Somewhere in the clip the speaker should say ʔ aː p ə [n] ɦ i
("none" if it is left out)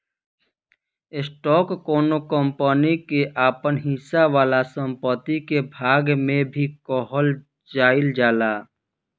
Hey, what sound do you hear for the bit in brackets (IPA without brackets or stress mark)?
n